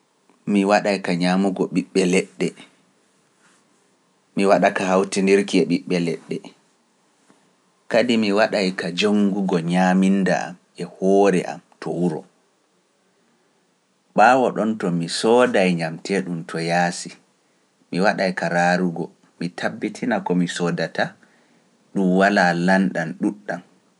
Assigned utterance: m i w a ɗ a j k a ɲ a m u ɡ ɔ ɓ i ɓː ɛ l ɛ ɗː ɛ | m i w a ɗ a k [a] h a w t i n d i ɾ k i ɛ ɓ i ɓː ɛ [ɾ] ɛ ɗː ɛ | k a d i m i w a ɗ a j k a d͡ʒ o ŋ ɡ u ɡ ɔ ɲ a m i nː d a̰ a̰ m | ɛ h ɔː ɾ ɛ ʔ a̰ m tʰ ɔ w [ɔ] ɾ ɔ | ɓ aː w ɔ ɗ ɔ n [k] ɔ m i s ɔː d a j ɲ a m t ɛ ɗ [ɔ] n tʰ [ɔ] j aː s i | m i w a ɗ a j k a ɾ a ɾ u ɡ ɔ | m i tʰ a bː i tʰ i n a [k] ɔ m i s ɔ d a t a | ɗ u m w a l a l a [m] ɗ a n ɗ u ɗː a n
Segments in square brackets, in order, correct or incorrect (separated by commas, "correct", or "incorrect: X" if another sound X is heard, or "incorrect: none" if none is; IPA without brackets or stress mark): correct, incorrect: l, incorrect: u, incorrect: t, incorrect: u, correct, correct, incorrect: n